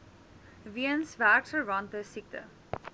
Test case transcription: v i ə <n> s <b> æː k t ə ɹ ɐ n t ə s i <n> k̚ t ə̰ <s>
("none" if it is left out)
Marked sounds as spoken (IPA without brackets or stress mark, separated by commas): n, v, none, none